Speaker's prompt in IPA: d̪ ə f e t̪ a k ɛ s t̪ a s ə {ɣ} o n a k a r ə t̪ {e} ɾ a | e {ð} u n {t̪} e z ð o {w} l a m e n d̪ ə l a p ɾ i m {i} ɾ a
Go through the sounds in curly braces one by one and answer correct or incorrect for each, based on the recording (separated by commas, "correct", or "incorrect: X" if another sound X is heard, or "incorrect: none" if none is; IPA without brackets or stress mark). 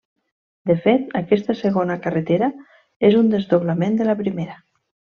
correct, correct, incorrect: z, incorrect: d̪, incorrect: β, incorrect: e